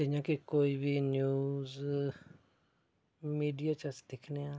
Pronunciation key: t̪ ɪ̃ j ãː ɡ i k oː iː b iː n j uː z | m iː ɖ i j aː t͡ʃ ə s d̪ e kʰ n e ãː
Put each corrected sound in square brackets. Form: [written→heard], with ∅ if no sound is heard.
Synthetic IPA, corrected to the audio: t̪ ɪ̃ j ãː [ɡ→k] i k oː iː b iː n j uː z | m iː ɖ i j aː t͡ʃ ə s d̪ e kʰ n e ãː

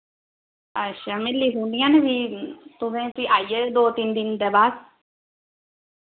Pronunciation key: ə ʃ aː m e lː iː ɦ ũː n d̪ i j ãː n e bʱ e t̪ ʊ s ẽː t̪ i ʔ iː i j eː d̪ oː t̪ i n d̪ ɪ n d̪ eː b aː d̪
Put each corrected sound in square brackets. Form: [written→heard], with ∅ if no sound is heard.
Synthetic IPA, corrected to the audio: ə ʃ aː m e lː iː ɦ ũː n d̪ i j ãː n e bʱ [e→i] t̪ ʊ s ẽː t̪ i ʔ [iː→aː] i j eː d̪ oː t̪ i n d̪ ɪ n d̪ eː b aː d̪

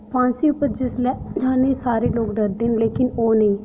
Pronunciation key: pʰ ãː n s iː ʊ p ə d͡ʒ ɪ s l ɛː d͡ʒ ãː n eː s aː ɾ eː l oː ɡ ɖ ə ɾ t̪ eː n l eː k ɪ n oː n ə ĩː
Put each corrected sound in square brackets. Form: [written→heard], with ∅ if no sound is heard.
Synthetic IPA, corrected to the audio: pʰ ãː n s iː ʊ p ə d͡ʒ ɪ s l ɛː d͡ʒ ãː n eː s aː ɾ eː l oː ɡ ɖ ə ɾ [t̪→d̪] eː n l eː k ɪ n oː n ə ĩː

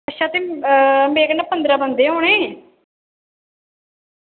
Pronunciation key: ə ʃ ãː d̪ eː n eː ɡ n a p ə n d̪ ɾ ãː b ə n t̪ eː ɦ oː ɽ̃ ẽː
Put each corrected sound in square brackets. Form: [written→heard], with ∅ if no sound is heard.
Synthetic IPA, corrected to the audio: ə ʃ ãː [d̪→t̪] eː [n→m] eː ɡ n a p ə n d̪ ɾ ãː b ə n [t̪→d̪] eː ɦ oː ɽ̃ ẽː

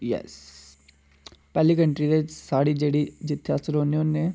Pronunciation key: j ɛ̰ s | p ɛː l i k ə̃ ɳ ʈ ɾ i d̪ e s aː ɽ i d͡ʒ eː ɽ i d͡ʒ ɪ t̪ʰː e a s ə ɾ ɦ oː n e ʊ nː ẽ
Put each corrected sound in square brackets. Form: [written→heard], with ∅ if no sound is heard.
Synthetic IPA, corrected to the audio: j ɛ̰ s | p ɛː l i k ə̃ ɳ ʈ ɾ i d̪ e s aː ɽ i d͡ʒ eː ɽ i d͡ʒ ɪ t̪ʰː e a s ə ɾ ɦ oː n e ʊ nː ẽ

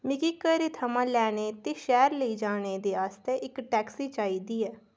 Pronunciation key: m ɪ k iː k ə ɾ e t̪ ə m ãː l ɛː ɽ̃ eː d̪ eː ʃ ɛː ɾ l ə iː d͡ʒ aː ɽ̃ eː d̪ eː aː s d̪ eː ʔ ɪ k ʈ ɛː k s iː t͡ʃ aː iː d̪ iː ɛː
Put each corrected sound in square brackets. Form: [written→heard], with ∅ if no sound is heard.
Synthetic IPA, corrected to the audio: m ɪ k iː k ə ɾ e [t̪→t̪ʰ] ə m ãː l ɛː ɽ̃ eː [d̪→t̪] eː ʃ ɛː ɾ l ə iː d͡ʒ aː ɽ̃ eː d̪ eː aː s [d̪→t̪] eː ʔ ɪ k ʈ ɛː k s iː t͡ʃ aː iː d̪ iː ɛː

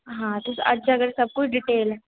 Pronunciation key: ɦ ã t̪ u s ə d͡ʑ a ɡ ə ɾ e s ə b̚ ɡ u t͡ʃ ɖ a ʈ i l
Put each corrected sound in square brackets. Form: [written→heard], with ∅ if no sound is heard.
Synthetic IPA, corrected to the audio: ɦ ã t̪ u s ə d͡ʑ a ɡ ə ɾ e s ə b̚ [ɡ→k] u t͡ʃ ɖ [a→i] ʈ [i→e] l

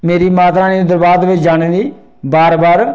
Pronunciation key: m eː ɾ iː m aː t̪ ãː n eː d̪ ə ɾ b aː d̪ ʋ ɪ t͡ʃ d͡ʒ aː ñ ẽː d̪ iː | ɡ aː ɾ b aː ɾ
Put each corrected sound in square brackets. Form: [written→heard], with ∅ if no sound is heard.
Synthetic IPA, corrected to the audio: m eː ɾ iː m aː t̪ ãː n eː d̪ ə ɾ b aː d̪ ʋ ɪ t͡ʃ d͡ʒ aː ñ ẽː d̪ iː | [ɡ→b] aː ɾ b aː ɾ

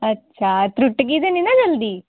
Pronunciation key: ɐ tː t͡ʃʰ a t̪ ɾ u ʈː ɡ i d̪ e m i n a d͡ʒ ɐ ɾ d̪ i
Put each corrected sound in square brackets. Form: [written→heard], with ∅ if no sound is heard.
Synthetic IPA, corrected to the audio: ɐ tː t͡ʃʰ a t̪ ɾ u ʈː ɡ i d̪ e [m→n] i n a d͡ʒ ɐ [ɾ→l] d̪ i

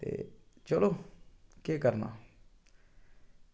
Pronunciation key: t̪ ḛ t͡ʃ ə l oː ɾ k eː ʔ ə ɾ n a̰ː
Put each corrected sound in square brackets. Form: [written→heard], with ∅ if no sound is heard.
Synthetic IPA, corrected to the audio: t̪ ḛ t͡ʃ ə l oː [ɾ→∅] k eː [ʔ→k] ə ɾ n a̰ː

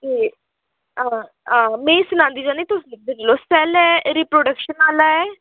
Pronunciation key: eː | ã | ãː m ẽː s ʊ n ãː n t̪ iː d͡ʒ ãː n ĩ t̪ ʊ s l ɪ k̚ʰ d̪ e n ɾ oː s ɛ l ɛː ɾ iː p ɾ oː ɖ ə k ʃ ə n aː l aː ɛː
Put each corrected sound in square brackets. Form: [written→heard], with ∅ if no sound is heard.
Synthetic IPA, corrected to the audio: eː | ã | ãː m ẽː s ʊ n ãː n [t̪→d̪] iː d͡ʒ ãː n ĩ t̪ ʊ s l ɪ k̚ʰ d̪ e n [ɾ→l] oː s ɛ l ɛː ɾ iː p ɾ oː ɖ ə k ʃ ə n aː l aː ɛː

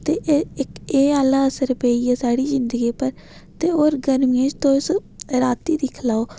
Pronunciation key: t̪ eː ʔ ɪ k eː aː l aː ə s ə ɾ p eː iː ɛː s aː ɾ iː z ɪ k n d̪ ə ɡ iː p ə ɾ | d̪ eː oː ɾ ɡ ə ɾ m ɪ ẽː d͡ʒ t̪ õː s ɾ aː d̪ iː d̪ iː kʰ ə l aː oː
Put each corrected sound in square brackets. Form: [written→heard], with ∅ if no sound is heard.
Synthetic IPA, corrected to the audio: t̪ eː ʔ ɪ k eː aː l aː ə s ə ɾ p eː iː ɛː s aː [ɾ→ɽ] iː z ɪ [k→∅] n d̪ ə ɡ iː p ə ɾ | [d̪→t̪] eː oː ɾ ɡ ə ɾ m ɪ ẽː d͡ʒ t̪ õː s ɾ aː [d̪→t̪] iː d̪ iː kʰ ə l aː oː

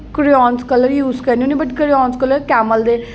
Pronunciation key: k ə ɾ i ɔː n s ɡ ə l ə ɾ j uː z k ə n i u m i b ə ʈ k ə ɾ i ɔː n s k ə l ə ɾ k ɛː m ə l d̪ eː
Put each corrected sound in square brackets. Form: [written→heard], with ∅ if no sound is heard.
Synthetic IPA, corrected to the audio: k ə ɾ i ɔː n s [ɡ→k] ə l ə ɾ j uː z k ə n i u [m→n] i b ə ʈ k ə ɾ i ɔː n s k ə l ə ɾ k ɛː m ə l d̪ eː

